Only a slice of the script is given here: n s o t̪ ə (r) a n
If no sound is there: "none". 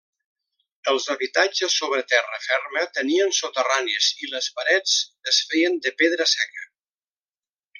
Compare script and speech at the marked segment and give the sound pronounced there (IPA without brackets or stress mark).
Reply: r